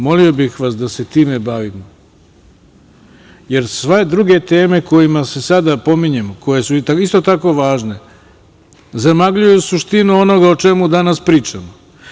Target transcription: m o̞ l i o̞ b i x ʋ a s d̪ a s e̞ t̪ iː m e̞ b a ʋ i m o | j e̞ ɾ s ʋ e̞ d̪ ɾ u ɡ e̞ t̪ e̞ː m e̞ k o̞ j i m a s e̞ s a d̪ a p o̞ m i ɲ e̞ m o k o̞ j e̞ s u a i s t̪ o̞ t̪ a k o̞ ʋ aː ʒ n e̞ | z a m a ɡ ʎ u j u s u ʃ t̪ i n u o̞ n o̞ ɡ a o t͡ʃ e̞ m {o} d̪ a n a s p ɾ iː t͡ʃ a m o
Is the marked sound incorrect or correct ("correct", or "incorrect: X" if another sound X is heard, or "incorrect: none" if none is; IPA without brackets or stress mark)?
incorrect: u